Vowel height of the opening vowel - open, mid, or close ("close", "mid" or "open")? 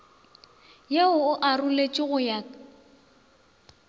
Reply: mid